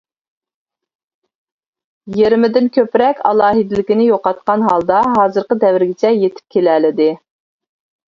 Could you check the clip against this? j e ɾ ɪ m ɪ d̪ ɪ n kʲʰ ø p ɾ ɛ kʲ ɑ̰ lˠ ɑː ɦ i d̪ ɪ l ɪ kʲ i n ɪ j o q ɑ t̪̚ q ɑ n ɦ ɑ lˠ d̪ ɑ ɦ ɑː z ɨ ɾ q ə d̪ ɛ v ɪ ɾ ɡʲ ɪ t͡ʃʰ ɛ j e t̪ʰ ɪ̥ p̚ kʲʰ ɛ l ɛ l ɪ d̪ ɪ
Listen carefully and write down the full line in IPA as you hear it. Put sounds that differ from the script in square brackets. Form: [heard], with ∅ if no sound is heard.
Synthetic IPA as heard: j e ɾ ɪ m ɪ d̪ ɪ n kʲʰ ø p ɾ ɛ kʲ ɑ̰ lˠ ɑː ɦ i d̪ ɪ l ɪ kʲ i n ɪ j o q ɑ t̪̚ q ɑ n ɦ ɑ lˠ d̪ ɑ ɦ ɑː z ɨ ɾ q ə d̪ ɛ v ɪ ɾ ɡʲ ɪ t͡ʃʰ ɛ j e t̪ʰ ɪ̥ p̚ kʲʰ [e] l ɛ l ɪ d̪ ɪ